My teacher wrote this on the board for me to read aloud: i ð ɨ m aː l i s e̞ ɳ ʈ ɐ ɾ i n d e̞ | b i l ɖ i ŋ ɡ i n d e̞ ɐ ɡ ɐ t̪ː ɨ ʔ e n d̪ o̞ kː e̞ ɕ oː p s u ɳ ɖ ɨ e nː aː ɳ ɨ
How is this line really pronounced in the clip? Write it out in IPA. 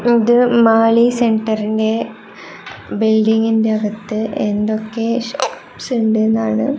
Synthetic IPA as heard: i ð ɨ m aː l i s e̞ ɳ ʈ ɐ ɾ i n d e̞ | b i l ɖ i ŋ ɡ i n d e̞ ɐ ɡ ɐ t̪ː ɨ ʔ e n d̪ o̞ kː e̞ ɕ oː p s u ɳ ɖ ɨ e nː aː ɳ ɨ